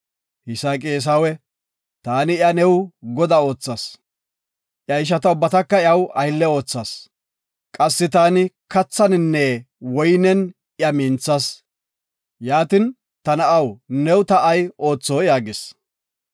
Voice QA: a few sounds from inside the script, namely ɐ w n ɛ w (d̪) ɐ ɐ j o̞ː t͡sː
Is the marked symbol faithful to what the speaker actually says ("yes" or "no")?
no